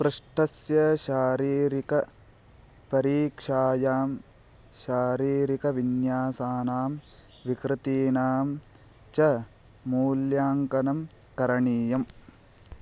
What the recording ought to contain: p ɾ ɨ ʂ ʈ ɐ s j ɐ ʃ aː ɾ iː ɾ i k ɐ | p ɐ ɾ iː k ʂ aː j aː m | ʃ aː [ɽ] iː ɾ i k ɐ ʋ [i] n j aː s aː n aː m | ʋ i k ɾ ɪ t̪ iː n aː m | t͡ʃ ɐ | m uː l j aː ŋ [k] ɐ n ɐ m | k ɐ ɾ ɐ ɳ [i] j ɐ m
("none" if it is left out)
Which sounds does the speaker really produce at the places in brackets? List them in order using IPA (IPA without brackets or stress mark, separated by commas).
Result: ɾ, i, k, iː